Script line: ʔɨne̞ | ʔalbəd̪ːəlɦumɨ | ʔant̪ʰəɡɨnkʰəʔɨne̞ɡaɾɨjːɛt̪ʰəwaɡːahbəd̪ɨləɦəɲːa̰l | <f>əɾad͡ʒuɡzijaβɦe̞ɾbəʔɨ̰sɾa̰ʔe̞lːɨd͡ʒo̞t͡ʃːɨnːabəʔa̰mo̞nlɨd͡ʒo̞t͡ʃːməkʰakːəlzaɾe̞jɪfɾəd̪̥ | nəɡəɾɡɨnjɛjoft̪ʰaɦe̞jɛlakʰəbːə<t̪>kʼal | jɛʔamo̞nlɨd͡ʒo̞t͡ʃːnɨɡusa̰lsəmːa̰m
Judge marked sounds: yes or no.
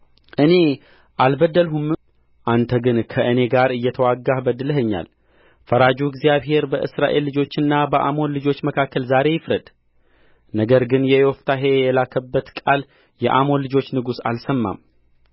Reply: yes, yes

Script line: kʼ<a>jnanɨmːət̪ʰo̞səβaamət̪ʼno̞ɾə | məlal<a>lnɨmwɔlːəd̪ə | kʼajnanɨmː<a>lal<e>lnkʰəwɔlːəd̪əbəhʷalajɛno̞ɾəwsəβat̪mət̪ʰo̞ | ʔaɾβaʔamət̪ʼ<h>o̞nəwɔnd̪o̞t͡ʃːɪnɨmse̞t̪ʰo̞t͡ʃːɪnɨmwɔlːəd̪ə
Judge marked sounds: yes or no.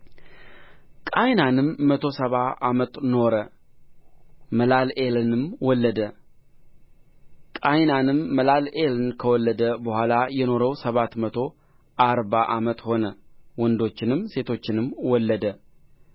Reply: yes, no, no, yes, yes

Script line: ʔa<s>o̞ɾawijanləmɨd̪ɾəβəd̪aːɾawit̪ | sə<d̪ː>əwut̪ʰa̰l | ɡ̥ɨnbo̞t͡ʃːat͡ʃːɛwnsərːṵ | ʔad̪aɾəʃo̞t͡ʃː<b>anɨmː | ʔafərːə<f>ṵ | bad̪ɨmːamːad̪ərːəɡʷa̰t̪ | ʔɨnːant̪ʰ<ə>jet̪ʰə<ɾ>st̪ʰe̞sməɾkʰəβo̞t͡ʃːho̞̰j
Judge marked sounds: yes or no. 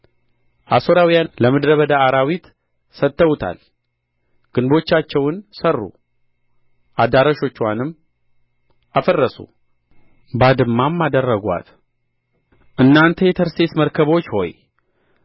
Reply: yes, no, no, no, yes, yes

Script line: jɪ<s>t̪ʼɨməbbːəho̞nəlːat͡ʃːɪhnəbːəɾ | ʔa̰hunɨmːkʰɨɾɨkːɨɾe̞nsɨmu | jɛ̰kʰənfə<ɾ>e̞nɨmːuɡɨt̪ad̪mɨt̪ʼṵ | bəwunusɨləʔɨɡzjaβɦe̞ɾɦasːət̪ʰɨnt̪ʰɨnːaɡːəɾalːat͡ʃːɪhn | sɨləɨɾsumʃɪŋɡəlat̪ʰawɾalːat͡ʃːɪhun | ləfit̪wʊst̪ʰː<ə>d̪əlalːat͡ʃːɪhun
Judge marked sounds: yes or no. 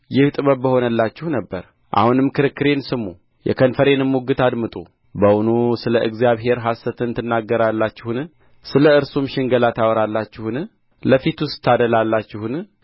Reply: no, yes, no

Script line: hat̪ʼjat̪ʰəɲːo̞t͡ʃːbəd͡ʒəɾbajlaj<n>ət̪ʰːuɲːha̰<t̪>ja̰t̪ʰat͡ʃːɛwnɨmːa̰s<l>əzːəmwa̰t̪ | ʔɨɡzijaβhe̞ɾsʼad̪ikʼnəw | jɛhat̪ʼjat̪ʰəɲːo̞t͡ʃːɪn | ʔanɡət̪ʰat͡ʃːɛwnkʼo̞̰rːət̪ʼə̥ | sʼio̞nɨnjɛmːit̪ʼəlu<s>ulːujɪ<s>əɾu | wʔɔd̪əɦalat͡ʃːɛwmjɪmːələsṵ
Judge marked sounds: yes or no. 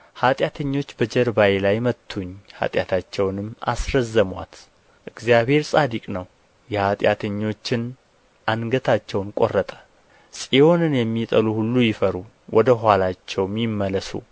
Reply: no, no, no, no, no

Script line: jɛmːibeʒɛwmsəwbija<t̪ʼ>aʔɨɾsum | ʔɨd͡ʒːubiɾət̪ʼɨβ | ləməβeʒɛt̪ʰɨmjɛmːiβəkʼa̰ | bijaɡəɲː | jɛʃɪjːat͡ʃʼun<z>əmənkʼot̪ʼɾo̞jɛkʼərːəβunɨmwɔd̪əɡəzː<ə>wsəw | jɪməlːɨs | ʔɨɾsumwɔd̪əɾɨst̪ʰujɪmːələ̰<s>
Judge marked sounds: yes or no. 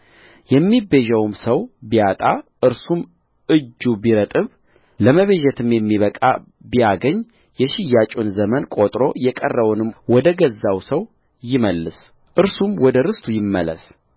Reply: yes, yes, no, yes

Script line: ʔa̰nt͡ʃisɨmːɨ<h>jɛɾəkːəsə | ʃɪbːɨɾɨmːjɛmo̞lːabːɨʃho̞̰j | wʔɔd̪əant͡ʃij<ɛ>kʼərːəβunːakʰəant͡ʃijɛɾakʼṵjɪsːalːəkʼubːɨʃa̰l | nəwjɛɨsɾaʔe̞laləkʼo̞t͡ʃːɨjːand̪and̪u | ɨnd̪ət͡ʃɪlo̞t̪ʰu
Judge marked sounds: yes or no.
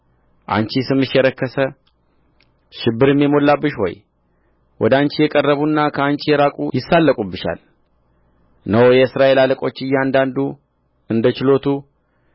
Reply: no, yes

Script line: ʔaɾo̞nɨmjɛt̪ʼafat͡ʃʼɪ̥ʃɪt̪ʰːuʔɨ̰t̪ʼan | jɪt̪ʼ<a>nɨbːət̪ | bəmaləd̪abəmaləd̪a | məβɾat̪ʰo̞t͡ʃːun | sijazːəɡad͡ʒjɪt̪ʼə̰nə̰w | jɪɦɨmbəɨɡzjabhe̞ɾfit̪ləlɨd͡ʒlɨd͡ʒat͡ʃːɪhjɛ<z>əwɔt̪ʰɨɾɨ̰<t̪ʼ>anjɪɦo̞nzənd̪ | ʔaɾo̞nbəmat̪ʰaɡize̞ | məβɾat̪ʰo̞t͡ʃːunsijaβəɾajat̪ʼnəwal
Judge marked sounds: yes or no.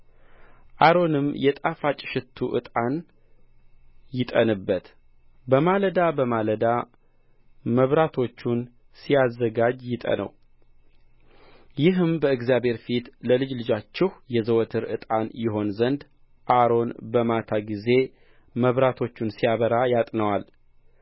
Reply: no, yes, yes

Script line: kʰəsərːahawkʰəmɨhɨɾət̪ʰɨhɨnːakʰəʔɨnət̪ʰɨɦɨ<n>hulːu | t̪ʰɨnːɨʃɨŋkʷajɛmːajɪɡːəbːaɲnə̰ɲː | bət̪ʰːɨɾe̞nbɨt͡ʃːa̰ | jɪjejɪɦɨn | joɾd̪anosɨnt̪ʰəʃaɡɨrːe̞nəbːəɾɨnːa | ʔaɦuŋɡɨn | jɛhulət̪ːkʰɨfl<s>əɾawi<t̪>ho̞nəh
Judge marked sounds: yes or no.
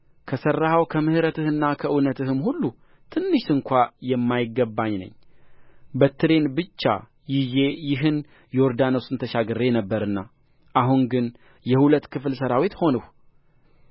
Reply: no, yes, yes

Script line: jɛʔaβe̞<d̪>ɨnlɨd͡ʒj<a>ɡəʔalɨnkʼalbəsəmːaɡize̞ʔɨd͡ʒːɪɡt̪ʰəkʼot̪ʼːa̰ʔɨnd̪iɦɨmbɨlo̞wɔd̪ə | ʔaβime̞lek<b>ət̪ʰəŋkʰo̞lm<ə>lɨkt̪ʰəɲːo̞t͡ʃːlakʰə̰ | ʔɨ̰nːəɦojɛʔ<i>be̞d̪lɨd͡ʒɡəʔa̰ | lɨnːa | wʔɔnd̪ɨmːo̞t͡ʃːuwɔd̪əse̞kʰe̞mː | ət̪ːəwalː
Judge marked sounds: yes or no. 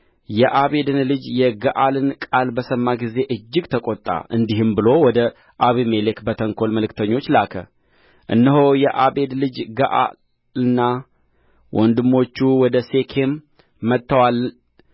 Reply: yes, no, yes, yes, no

